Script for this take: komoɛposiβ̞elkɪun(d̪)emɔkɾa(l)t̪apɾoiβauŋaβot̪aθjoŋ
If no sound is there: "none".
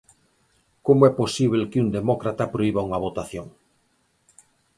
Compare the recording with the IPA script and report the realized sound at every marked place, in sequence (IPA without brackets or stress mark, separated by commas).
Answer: d̪, none